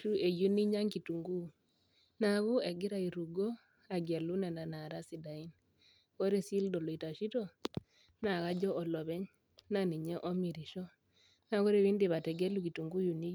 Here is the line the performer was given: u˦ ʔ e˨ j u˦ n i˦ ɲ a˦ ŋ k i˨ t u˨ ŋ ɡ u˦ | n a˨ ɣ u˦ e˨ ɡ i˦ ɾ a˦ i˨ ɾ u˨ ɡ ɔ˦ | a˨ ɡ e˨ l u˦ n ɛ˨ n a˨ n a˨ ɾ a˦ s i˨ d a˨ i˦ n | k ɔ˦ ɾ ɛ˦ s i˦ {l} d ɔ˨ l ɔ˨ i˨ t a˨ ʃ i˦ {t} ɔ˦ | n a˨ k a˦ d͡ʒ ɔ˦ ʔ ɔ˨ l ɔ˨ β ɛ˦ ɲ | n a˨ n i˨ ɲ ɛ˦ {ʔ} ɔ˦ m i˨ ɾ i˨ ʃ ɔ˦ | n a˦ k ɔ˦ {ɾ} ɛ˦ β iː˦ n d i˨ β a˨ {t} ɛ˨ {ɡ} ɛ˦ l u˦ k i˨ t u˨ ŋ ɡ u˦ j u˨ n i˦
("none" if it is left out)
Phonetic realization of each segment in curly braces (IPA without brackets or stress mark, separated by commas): l, t, ʔ, ɾ, t, ɡ